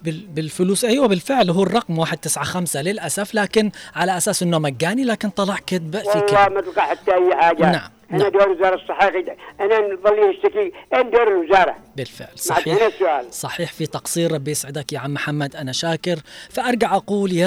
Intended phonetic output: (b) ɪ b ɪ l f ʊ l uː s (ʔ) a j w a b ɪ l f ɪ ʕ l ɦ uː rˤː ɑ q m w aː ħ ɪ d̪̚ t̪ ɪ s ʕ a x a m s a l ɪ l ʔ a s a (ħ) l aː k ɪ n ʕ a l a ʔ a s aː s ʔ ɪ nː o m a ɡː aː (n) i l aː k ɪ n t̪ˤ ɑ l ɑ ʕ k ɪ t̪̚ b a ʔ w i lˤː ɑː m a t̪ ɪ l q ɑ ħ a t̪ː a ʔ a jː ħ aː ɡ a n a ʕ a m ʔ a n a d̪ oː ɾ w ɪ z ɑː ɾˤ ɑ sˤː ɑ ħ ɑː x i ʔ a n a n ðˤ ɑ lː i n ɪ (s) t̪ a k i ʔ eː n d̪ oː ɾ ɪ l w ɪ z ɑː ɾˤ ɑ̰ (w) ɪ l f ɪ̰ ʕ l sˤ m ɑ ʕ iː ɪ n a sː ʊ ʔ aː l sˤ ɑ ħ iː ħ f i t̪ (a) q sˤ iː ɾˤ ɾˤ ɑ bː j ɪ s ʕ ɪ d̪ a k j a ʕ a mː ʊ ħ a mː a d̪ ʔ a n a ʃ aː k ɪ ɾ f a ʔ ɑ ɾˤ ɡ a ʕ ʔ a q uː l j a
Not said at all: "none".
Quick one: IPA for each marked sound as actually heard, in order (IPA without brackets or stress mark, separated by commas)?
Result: b, ʔ, f, n, ʃ, b, ɑ